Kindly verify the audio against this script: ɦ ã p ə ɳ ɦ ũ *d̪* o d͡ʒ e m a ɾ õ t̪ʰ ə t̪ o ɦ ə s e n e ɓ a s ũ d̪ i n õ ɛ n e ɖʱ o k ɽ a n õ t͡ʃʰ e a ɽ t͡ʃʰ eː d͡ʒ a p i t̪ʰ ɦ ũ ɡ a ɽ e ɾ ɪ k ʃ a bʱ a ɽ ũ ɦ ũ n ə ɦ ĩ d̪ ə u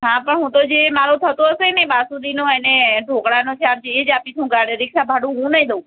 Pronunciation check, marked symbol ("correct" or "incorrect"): incorrect